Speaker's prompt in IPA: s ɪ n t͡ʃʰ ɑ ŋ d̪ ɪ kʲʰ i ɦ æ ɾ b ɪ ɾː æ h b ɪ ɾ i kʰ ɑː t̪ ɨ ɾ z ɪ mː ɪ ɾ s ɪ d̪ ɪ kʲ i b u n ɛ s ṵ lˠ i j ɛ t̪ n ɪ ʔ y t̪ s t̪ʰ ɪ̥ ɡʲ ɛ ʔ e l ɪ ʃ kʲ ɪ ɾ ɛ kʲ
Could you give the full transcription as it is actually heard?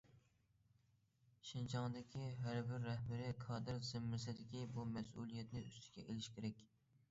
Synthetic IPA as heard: ʃ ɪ n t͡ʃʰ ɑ ŋ d̪ ɪ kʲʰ i ɦ æ ɾ b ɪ ɾː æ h b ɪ ɾ ɪ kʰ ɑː d̪ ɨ ɾ z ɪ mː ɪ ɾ s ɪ d̪ ɪ kʲ i b u m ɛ s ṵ lˠ i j ɛ t̪ n ɪ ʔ y s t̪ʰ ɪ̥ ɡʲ ɛ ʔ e l ɪ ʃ kʲ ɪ ɾ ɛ kʲ